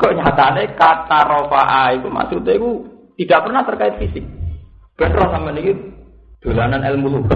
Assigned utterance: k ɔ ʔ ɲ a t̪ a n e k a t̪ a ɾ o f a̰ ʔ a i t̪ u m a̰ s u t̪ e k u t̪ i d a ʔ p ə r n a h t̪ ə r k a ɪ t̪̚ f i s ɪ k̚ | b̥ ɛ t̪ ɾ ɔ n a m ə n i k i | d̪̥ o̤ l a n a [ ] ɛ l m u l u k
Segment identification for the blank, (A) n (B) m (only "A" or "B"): A